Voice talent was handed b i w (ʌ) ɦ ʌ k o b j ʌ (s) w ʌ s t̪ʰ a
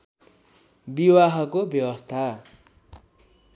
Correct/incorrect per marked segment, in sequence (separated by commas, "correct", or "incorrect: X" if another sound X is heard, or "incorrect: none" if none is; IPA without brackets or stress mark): incorrect: a, incorrect: none